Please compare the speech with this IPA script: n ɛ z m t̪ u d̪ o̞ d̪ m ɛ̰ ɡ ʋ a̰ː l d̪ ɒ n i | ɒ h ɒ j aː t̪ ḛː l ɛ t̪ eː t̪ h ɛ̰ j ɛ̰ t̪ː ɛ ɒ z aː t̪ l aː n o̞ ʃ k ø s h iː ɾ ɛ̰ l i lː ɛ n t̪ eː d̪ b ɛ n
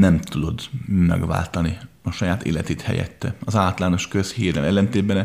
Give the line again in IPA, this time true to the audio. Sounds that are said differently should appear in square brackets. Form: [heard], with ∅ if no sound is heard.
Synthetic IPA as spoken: n ɛ [∅] m t̪ u d̪ o̞ d̪ m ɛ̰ ɡ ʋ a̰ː l [t̪] ɒ n i | ɒ [ʃ] ɒ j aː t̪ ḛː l ɛ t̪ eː t̪ h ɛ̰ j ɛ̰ t̪ː ɛ ɒ z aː t̪ l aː n o̞ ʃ k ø s h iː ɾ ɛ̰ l [ɛ] lː ɛ n t̪ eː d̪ b ɛ n